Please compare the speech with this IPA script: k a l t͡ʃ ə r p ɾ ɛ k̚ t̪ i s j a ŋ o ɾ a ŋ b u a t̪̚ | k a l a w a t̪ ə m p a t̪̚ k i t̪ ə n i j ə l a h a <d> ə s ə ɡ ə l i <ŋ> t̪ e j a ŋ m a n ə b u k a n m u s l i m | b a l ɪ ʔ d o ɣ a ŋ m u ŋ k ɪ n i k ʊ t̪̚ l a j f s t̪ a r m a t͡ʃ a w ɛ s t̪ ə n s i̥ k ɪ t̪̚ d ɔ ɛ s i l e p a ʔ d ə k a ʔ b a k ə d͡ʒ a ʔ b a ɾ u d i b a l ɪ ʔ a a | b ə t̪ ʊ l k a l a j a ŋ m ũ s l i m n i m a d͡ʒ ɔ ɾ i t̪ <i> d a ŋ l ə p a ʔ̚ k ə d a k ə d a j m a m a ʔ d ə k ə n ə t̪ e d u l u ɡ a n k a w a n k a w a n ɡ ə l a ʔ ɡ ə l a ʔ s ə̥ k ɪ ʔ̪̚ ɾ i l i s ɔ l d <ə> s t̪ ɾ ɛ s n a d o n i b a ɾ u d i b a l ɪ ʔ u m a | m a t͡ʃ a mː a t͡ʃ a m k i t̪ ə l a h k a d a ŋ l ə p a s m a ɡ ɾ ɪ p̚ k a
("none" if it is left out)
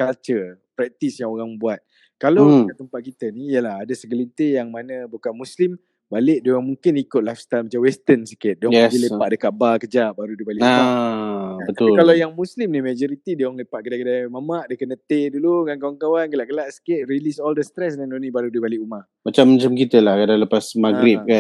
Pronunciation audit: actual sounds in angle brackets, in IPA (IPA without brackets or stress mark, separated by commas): d, n, i, ə